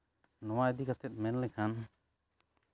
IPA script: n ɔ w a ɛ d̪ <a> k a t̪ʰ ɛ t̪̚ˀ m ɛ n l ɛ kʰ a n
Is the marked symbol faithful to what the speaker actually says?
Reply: no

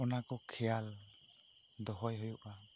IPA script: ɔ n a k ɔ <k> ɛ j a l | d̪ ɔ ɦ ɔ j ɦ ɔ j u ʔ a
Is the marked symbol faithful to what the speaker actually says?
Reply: no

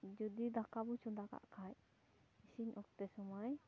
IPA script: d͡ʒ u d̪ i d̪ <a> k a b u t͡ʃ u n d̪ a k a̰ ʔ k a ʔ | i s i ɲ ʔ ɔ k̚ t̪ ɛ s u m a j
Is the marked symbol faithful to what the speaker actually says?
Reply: yes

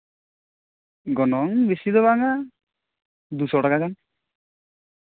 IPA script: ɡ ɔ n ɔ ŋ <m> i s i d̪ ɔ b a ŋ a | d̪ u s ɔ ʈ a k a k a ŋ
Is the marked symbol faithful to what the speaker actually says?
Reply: no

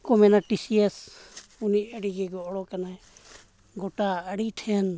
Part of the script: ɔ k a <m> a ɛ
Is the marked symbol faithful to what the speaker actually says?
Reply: no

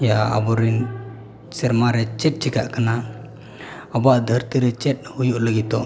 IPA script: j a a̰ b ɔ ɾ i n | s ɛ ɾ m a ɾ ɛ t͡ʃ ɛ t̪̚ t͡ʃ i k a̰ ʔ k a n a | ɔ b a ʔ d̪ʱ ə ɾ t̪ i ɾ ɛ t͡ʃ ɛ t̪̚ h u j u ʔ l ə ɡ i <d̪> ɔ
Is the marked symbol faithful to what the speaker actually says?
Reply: no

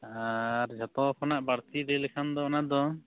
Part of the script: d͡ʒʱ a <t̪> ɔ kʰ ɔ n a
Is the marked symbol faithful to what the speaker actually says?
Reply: yes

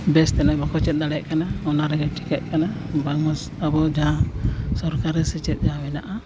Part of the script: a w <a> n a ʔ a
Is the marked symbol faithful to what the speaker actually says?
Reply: no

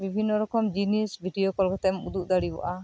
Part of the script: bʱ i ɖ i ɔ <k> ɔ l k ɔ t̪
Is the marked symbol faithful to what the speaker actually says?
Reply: yes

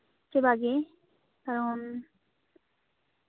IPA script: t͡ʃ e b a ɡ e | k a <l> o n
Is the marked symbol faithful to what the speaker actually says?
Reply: no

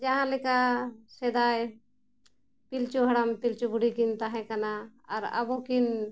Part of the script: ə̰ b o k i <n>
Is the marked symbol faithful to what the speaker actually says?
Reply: yes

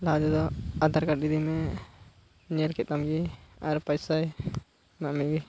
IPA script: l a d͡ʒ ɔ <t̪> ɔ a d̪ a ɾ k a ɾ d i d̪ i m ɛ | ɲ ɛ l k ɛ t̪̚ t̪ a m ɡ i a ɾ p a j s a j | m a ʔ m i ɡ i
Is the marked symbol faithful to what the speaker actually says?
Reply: no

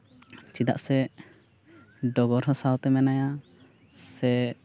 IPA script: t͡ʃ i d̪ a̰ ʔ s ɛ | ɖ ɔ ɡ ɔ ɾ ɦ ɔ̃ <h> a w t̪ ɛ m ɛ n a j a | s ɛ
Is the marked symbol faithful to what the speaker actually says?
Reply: no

